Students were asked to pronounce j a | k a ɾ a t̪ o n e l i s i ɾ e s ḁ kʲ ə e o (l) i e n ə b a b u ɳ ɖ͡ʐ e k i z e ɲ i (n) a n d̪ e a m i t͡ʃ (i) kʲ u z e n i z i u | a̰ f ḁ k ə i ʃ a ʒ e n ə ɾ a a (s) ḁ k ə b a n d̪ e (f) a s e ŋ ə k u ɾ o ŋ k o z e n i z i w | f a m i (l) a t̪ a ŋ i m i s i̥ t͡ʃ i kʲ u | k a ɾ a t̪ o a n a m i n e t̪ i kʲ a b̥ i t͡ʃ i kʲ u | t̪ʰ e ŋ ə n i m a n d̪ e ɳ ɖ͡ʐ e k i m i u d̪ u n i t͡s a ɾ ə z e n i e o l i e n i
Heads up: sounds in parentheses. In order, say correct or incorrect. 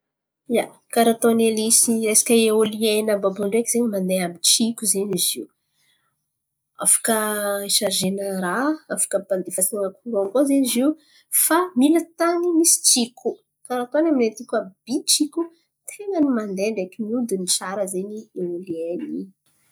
correct, incorrect: m, correct, incorrect: f, correct, correct

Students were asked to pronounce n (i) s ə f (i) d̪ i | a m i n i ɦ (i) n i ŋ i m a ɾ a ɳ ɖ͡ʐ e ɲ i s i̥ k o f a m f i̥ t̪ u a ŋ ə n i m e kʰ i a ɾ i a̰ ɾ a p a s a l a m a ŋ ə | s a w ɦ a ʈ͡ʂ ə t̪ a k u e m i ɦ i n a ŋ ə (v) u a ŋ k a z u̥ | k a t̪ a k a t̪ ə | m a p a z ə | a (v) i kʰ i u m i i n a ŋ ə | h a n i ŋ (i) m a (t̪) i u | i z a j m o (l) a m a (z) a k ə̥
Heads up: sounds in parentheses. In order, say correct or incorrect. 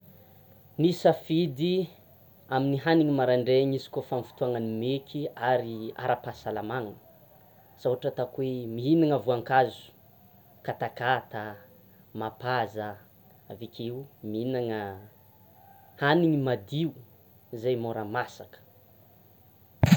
correct, correct, incorrect: a, correct, correct, correct, incorrect: d̪, incorrect: ɾ, incorrect: s

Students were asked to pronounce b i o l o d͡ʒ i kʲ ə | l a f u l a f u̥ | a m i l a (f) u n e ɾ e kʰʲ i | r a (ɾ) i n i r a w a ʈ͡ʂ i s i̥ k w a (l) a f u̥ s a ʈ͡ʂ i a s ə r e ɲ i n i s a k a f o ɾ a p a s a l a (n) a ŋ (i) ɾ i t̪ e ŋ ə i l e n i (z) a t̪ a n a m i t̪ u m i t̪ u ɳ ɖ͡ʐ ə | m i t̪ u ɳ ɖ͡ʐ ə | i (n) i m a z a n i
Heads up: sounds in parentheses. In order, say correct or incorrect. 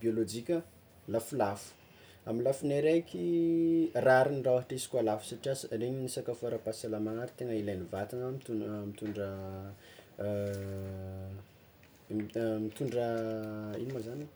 correct, correct, correct, incorrect: m, incorrect: a, incorrect: v, correct

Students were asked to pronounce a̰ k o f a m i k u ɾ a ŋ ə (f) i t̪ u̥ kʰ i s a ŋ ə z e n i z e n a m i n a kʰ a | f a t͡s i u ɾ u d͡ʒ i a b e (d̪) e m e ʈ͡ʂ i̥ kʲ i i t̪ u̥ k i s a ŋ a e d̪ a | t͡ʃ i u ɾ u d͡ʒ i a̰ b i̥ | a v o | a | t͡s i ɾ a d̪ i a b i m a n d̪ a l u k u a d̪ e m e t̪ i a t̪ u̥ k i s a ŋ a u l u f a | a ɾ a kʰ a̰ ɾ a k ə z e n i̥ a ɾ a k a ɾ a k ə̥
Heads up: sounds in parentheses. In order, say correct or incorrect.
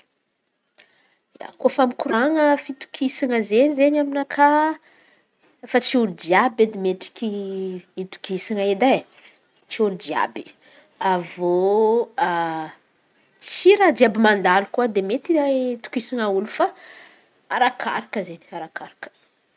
correct, correct

